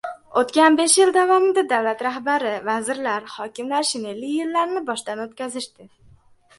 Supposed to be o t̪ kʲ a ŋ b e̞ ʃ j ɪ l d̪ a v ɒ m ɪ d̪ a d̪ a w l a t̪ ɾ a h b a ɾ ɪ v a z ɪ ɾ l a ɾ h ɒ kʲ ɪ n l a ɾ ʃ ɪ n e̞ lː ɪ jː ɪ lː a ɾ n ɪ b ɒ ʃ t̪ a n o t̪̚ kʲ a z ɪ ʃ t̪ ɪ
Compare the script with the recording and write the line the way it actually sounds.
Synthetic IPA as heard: o t̪ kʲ a n b e̞ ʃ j ɪ l d̪ a v ɒ m ɪ d̪ a d̪ a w l a t̪ ɾ a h b a ɾ ɪ v a z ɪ ɾ l a ɾ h ɒ kʲ ɪ m l a ɾ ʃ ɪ n e̞ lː ɪ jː ɪ lː a ɾ n ɪ b ɒ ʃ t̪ a n o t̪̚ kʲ a z ɪ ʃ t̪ ɪ